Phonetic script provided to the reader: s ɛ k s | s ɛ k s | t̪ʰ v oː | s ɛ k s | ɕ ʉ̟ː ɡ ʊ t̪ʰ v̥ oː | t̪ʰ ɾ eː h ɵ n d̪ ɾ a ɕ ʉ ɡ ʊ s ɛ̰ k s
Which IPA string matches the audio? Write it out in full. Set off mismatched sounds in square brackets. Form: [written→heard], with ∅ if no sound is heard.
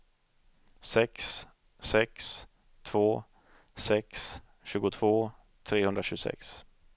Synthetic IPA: s ɛ k s | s ɛ k s | t̪ʰ v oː | s ɛ k s | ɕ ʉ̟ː ɡ ʊ t̪ʰ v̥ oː | t̪ʰ ɾ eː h ɵ n d̪ ɾ a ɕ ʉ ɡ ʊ s ɛ̰ k s